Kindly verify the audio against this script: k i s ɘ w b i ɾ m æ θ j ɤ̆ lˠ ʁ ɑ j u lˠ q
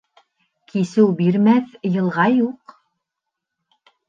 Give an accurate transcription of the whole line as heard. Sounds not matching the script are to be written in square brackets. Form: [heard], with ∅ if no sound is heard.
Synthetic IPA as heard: k i s ɘ w b i ɾ m æ θ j ɤ̆ lˠ ʁ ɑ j u [∅] q